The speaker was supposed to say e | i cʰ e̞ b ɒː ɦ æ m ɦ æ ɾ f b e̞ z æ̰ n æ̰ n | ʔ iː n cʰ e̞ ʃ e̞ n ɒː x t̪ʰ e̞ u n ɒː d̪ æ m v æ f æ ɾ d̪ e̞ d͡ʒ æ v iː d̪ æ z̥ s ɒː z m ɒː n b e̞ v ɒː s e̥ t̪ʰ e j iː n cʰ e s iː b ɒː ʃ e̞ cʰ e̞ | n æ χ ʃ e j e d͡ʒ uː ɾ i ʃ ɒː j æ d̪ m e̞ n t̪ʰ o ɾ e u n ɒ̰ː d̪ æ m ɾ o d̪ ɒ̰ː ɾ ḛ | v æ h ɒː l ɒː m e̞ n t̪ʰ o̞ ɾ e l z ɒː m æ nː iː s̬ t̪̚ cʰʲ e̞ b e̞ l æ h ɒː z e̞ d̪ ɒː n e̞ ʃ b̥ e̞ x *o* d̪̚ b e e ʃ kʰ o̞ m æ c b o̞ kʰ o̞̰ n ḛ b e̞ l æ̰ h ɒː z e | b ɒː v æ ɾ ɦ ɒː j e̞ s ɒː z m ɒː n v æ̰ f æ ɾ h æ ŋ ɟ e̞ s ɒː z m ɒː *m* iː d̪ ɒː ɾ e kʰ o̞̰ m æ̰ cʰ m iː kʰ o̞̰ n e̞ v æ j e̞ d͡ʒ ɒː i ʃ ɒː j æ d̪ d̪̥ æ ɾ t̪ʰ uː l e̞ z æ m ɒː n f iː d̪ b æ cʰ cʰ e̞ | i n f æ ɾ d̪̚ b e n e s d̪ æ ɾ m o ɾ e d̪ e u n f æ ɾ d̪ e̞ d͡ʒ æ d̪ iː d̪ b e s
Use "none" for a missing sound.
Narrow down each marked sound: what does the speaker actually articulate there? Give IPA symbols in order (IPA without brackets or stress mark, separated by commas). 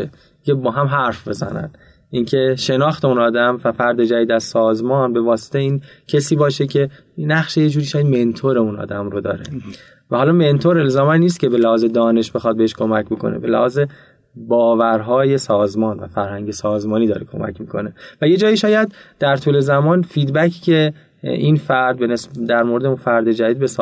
ɒ, n